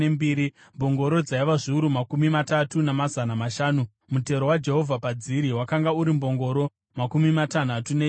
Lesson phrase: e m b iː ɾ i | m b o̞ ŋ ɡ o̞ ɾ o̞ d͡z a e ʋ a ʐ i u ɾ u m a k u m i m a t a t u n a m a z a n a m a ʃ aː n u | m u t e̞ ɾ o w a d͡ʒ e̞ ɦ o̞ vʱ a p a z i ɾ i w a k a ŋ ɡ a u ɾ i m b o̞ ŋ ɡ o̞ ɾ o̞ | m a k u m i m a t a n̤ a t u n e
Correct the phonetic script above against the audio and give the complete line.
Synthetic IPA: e m b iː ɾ i | m b o̞ ŋ ɡ o̞ ɾ o̞ d͡z a i ʋ a ʐ i u ɾ u m a k u m i m a t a t u n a m a z a n a m a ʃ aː n u | m u t e̞ ɾ o w a d͡ʒ e̞ ɦ o̞ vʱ a p a d͡z i ɾ i w a k a ŋ ɡ a u ɾ i m b o̞ ŋ ɡ o̞ ɾ o̞ | m a k u m i m a t a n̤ a t u n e